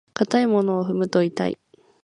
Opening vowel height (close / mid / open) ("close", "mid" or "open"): open